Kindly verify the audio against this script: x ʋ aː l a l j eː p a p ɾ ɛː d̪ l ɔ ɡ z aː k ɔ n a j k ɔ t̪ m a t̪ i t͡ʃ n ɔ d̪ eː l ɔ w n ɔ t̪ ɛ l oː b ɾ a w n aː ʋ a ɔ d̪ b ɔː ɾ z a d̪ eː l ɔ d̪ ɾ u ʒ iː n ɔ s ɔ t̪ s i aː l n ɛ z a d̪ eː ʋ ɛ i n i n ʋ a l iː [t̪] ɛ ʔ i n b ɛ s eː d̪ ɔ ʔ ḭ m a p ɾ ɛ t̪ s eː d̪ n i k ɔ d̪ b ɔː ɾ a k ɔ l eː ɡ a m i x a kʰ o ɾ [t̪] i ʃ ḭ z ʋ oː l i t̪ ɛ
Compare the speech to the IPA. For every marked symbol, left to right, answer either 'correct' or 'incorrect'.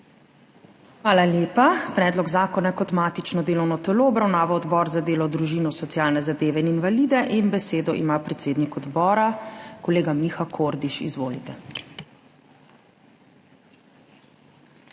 incorrect, incorrect

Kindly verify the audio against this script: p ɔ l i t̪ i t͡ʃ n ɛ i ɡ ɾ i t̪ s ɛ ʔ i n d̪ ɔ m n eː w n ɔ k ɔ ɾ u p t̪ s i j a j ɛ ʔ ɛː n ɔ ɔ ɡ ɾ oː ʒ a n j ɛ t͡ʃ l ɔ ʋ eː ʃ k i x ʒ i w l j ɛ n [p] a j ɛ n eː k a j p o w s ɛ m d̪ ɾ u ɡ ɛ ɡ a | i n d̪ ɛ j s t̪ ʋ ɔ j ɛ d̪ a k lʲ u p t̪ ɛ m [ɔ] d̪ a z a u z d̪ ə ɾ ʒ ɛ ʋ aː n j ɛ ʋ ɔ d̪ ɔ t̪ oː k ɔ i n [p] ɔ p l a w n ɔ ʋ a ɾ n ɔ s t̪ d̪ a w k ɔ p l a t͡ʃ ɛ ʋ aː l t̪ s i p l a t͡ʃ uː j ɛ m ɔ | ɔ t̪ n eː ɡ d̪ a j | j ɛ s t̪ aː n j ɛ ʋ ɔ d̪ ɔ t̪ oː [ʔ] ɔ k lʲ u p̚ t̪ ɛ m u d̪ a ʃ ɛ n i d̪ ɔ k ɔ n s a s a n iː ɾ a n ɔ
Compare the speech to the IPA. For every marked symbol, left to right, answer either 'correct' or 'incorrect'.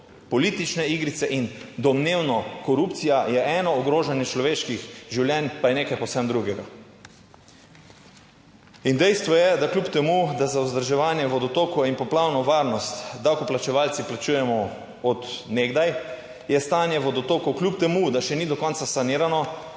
correct, incorrect, correct, incorrect

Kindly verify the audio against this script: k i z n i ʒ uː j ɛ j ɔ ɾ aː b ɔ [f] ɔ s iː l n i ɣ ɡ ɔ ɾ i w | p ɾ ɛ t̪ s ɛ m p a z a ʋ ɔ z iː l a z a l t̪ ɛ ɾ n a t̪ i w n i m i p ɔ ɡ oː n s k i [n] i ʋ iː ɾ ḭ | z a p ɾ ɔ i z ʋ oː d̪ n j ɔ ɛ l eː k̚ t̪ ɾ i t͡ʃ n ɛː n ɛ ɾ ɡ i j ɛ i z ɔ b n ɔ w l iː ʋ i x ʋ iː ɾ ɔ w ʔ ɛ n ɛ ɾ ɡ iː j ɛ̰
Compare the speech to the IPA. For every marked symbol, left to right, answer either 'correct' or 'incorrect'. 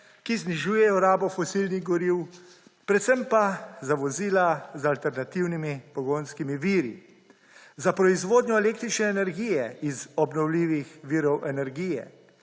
correct, incorrect

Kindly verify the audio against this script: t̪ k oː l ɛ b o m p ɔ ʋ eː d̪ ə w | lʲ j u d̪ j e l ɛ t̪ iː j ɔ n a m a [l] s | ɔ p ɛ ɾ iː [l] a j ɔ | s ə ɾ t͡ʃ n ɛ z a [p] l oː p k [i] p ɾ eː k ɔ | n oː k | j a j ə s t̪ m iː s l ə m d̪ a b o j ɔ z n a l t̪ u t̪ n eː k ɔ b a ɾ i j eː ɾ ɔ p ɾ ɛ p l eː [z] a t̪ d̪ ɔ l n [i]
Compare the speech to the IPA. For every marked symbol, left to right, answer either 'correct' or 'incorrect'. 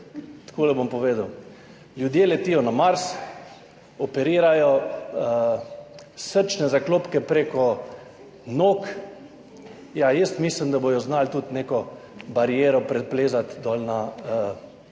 incorrect, incorrect, incorrect, incorrect, correct, incorrect

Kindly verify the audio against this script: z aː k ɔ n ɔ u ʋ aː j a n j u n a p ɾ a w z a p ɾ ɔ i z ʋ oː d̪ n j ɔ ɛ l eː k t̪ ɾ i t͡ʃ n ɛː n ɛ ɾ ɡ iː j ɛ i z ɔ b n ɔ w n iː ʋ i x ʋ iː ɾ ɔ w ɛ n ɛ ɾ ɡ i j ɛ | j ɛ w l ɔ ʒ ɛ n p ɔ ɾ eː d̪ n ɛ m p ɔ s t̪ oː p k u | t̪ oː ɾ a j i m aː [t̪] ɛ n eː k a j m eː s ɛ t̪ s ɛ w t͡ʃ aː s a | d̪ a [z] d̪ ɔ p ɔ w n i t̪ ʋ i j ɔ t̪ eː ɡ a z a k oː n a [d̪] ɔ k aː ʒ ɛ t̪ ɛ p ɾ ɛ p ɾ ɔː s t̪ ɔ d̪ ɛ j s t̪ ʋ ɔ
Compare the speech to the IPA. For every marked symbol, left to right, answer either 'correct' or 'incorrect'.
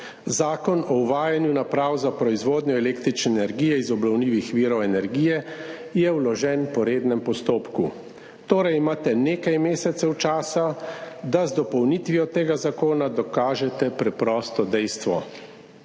correct, correct, correct

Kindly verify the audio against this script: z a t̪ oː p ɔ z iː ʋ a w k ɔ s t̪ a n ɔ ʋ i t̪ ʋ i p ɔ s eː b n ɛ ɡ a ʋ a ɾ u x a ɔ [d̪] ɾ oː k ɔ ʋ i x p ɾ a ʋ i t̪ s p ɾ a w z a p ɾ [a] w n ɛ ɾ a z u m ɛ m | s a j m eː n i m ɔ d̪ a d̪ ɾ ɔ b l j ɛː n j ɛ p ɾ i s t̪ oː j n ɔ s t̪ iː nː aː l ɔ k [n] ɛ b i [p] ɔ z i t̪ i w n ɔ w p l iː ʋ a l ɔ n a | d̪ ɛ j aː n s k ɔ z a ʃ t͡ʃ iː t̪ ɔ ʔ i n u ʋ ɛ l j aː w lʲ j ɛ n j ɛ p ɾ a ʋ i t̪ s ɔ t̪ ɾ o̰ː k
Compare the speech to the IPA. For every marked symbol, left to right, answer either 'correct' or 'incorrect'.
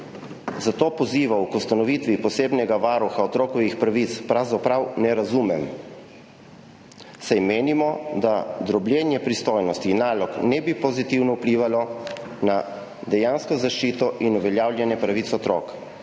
incorrect, correct, correct, correct

